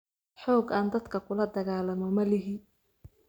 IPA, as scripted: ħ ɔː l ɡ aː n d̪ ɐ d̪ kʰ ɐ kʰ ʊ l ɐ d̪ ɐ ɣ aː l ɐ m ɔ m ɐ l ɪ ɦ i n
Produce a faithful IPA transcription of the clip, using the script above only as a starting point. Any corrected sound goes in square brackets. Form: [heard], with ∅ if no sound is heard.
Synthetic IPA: ħ ɔː [∅] ɡ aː n d̪ ɐ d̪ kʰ ɐ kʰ ʊ l ɐ d̪ ɐ ɣ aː l ɐ m ɔ m ɐ l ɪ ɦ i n

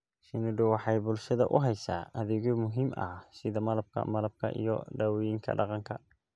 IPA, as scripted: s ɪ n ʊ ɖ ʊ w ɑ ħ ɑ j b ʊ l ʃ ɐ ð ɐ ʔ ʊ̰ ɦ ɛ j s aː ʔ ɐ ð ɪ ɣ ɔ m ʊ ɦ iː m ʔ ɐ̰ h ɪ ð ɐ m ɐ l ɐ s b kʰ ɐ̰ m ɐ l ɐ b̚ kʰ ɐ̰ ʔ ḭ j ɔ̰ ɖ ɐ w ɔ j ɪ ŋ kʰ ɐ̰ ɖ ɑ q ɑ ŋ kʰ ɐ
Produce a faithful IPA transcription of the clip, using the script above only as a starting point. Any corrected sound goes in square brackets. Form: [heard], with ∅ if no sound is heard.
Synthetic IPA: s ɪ n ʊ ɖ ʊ w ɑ ħ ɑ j b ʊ l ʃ ɐ ð ɐ ʔ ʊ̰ ɦ ɛ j s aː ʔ ɐ ð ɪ ɣ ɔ m ʊ ɦ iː m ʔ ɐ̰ [s] ɪ ð ɐ m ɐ l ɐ [∅] b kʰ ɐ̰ m ɐ l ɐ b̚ kʰ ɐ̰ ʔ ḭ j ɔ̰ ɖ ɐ w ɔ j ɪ ŋ kʰ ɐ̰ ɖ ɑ q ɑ ŋ kʰ ɐ

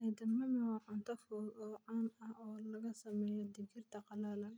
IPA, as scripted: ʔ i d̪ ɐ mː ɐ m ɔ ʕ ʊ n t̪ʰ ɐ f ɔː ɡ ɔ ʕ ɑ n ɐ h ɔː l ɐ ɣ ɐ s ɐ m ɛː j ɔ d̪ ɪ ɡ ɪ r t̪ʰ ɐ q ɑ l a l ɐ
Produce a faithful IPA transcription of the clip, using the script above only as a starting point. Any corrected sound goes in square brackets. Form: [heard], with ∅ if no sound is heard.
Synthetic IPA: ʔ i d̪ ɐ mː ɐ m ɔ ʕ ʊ n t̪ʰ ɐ f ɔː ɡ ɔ ʕ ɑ n ɐ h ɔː l ɐ ɣ ɐ s ɐ m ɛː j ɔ d̪ ɪ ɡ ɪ r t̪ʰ ɐ q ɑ l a l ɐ

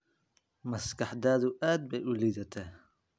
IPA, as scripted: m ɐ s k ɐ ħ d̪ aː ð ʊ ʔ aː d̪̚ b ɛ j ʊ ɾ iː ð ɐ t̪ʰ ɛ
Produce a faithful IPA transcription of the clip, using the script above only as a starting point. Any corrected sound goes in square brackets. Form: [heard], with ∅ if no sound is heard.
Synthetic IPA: m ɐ s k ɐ ħ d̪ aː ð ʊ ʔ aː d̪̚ b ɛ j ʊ [l] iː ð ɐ t̪ʰ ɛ

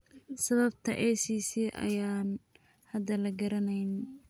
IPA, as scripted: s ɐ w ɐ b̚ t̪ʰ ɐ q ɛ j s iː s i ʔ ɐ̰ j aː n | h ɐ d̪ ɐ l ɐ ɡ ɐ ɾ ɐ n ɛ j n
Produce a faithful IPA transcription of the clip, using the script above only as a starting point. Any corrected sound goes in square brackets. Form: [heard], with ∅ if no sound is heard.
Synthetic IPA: s ɐ [β] ɐ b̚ t̪ʰ ɐ [ʔ] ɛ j s iː s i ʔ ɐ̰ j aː n | h ɐ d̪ ɐ l ɐ ɡ ɐ ɾ ɐ n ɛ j n

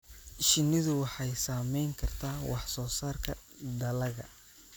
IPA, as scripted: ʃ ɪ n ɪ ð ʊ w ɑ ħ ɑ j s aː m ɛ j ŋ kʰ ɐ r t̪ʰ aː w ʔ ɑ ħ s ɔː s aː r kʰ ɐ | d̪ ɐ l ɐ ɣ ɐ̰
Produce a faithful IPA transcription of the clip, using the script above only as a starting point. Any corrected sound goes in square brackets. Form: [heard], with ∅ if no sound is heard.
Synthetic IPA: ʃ ɪ n ɪ ð ʊ w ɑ ħ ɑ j s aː m ɛ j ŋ kʰ ɐ r t̪ʰ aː w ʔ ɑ ħ s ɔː s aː r kʰ ɐ | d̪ ɐ l ɐ ɣ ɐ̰

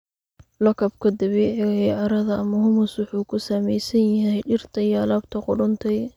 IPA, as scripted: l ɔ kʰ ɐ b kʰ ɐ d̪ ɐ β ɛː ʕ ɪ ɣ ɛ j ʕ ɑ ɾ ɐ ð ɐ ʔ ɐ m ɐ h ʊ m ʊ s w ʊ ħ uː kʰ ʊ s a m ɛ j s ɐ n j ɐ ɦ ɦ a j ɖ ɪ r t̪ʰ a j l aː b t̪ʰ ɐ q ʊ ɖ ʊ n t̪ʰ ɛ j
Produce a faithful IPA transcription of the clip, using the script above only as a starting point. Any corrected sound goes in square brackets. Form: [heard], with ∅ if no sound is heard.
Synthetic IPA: l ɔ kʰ ɐ b kʰ ɐ d̪ ɐ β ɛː ʕ ɪ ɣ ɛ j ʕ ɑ ɾ ɐ ð ɐ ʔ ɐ m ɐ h ʊ m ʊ s w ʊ ħ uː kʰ ʊ s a m ɛ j s ɐ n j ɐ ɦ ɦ [ɛ] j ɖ ɪ r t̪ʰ [ɐ] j l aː b t̪ʰ ɐ q ʊ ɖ ʊ n t̪ʰ ɛ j

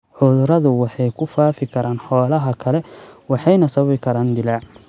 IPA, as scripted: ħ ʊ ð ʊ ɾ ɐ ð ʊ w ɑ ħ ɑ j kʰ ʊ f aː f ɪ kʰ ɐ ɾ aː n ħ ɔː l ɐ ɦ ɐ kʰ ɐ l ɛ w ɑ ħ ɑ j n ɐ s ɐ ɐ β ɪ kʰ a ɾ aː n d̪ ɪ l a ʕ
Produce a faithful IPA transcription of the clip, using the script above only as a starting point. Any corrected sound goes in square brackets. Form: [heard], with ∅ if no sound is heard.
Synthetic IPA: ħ ʊ ð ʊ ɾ ɐ ð ʊ w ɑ ħ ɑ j kʰ ʊ f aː f ɪ kʰ ɐ ɾ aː n ħ ɔː l ɐ ɦ ɐ kʰ ɐ l ɛ w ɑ ħ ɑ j n ɐ s ɐ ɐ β ɪ kʰ [ɐ] ɾ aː n d̪ ɪ l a ʕ

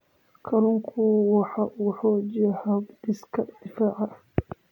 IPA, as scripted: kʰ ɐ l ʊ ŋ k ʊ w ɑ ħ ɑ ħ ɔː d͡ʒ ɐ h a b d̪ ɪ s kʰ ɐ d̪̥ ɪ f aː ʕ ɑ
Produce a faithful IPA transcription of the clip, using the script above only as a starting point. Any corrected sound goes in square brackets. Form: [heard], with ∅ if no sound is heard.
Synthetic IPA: kʰ ɐ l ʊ ŋ [kʰ] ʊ w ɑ ħ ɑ ħ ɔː d͡ʒ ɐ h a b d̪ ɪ s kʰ ɐ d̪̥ ɪ f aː ʕ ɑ

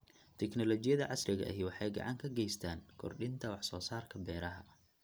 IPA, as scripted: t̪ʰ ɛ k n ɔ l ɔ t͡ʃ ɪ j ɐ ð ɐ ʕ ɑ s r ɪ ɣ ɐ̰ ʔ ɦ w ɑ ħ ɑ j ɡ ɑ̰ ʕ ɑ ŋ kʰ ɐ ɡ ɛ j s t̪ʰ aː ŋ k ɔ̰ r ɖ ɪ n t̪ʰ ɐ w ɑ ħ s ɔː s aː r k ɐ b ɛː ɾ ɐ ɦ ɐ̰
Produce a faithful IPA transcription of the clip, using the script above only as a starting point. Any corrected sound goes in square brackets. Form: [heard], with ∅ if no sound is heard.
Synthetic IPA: t̪ʰ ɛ k n ɔ l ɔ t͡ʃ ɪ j ɐ ð ɐ ʕ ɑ s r ɪ ɣ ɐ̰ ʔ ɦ w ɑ ħ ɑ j ɡ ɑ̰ ʕ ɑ ŋ kʰ ɐ ɡ ɛ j s t̪ʰ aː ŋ [kʰ] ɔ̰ r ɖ ɪ n t̪ʰ ɐ w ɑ ħ s ɔː s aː r [kʰ] ɐ b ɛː ɾ ɐ ɦ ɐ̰

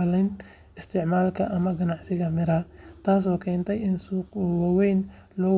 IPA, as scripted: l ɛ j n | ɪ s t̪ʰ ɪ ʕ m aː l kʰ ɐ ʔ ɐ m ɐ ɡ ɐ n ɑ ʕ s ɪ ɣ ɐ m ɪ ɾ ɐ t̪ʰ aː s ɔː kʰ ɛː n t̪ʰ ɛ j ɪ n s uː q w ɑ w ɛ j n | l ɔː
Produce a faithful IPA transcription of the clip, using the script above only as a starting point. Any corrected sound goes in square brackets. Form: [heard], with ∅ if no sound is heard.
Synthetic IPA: l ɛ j n | ɪ s t̪ʰ ɪ ʕ m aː l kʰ ɐ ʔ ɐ m ɐ ɡ ɐ n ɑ ʕ s ɪ ɣ ɐ m ɪ ɾ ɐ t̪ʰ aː s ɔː kʰ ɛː n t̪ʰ ɛ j ɪ n s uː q w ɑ w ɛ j n | l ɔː

